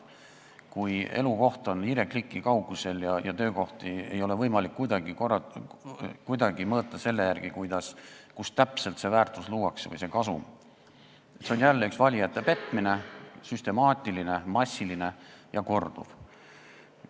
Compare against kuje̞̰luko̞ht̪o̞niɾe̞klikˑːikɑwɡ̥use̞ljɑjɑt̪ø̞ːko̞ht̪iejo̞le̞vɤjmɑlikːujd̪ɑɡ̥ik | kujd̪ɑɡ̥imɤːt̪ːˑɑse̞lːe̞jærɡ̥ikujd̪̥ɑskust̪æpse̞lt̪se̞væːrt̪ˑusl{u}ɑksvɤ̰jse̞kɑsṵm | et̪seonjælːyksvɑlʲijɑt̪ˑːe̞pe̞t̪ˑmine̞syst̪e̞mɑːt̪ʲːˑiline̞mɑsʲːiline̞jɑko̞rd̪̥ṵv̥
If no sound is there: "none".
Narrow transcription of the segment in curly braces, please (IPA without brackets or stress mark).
uː